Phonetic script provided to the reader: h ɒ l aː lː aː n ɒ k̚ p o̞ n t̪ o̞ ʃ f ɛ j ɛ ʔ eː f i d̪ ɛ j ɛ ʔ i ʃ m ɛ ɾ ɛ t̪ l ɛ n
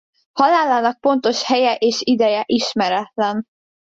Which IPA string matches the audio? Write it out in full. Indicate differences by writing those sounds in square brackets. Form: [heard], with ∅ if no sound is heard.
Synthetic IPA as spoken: h ɒ l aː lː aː n ɒ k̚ p o̞ n t̪ o̞ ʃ [h] ɛ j ɛ ʔ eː [ʃ] i d̪ ɛ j ɛ ʔ i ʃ m ɛ ɾ ɛ t̪ l ɛ n